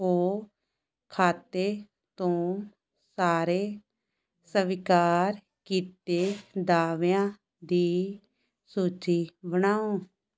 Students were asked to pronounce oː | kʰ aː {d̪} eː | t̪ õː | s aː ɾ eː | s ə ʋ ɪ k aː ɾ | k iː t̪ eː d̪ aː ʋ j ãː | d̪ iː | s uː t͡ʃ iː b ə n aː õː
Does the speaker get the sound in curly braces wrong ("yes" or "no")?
yes